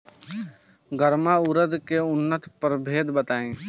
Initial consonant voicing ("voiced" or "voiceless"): voiced